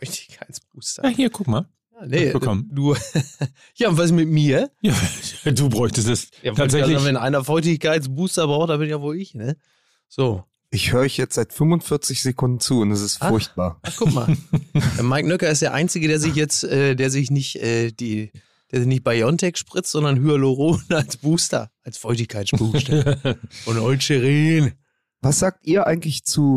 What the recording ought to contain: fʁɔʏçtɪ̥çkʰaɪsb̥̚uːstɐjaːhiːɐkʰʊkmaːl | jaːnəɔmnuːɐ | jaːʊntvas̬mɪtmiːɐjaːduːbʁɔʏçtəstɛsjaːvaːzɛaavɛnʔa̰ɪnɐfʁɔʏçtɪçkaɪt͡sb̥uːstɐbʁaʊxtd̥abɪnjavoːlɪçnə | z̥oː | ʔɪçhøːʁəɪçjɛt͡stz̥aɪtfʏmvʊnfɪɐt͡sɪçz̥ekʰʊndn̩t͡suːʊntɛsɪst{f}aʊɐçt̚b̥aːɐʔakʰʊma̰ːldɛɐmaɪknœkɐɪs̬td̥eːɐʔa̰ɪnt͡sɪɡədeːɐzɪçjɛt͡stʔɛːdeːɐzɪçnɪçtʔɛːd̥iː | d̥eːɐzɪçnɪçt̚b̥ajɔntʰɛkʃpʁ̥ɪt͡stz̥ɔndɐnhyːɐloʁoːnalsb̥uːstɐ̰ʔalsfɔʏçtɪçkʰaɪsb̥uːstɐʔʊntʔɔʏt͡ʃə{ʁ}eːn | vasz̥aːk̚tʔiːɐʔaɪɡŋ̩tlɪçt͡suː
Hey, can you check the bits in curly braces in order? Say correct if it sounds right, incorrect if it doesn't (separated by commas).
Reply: correct, correct